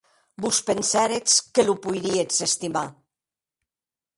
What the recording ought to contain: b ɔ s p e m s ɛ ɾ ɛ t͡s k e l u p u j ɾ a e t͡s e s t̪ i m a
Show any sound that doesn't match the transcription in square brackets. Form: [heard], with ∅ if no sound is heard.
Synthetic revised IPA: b [u] s p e [n] s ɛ ɾ [e] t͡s k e l u p u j ɾ [i] e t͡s e s t̪ i m a